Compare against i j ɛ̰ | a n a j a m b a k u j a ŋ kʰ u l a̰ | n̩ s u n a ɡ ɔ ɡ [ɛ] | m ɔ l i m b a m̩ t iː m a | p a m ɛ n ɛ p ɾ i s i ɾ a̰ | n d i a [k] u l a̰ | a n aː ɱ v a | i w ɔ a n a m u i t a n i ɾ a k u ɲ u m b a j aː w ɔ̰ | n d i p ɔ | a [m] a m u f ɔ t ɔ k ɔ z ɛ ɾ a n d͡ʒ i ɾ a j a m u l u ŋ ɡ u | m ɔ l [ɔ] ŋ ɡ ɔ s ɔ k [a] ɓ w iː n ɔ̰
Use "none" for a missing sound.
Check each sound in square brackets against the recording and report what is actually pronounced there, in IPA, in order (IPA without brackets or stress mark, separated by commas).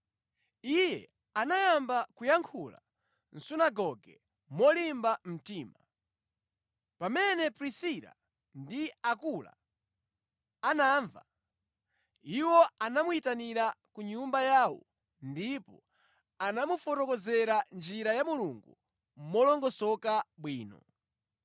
ɛ, k, n, ɔ, a